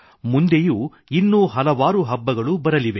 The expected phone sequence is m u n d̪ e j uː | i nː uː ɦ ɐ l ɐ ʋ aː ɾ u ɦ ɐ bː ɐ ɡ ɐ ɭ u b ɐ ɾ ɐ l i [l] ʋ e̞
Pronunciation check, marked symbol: incorrect: none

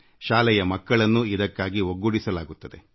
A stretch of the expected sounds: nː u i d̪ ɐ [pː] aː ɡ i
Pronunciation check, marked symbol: incorrect: kː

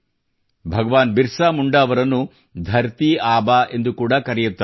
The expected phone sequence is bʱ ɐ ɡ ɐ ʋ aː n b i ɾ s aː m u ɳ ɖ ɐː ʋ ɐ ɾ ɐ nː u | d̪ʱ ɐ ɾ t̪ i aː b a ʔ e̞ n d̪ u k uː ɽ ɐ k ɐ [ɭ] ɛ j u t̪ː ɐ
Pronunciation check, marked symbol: incorrect: ɾ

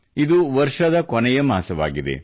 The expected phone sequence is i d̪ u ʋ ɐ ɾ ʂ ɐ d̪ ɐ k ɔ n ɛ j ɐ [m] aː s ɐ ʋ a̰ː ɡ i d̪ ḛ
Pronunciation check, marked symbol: correct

